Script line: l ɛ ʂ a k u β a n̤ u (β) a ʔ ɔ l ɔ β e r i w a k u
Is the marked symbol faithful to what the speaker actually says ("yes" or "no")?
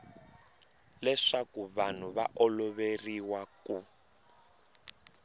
yes